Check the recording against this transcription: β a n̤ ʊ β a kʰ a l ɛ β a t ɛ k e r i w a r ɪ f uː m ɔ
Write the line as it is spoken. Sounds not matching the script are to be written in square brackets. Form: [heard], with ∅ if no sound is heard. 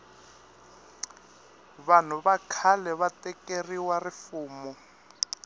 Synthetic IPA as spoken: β a n̤ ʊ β a kʰ a l ɛ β a t ɛ k e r i w a r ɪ f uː m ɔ

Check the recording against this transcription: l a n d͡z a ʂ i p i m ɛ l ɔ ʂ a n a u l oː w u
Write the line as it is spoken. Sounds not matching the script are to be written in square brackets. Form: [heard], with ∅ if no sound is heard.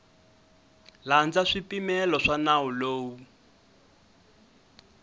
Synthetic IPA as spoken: l a n d͡z a ʂ i p i m ɛ l ɔ ʂ a n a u l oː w u

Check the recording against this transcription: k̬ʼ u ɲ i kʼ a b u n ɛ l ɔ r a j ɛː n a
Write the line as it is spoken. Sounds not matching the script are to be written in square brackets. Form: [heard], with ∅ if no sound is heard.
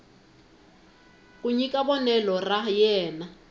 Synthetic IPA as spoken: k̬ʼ u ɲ i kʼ a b [ɔ] n ɛ l ɔ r a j ɛː n a

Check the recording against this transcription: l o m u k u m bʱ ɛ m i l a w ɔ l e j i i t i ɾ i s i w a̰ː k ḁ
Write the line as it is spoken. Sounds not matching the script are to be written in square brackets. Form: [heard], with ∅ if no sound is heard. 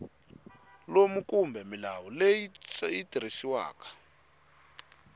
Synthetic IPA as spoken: l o m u k u m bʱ ɛ m i l a w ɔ l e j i i t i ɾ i s i w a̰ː k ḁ

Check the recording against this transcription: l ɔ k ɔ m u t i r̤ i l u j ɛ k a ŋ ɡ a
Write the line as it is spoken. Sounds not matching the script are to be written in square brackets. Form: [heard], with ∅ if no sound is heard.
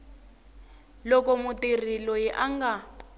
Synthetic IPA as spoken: l ɔ k ɔ m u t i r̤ i l [ɔ] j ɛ [ʔ] a ŋ ɡ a

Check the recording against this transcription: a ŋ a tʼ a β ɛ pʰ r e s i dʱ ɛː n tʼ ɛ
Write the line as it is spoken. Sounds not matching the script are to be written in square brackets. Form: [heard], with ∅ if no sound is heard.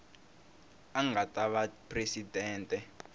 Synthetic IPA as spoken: a ŋ a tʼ a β [a] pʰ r e s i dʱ ɛː n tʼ ɛ

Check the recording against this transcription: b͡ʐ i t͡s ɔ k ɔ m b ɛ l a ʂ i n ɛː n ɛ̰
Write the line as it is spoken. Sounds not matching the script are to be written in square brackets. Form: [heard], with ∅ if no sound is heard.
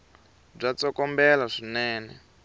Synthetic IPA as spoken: b͡ʐ [a] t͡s ɔ k ɔ m b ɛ l a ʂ i n ɛː n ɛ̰

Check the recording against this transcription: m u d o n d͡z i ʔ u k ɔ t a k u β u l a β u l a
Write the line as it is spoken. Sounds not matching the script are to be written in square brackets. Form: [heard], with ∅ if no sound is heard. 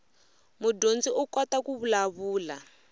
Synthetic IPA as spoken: m u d o n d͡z i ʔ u k ɔ t a k u β u l a β [uː] l a

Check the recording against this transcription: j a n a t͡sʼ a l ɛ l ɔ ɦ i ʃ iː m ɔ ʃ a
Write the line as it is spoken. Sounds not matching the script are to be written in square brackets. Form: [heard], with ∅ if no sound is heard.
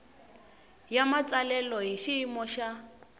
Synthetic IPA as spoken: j a [m] a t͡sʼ a l ɛ l ɔ ɦ i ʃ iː m ɔ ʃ a

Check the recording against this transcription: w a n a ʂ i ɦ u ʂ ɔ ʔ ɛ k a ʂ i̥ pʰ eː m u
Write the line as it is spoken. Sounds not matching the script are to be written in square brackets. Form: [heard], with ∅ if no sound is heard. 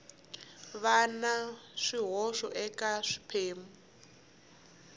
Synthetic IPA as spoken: [β] a n a ʂ i ɦ [ɔ] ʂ ɔ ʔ ɛ k a ʂ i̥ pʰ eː m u

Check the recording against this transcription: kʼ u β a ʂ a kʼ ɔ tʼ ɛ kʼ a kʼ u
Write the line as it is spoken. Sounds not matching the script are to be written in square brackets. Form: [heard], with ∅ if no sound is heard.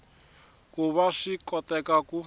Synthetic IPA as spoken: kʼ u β a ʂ [i] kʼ ɔ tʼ ɛ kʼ a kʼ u

